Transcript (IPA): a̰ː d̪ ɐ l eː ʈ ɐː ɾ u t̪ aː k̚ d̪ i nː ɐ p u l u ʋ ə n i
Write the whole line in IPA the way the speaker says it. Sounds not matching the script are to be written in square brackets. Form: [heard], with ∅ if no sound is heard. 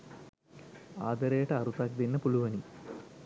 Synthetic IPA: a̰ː d̪ ɐ [ɾ] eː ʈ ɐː ɾ u t̪ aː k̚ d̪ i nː ɐ p u l u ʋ [ɐ] n i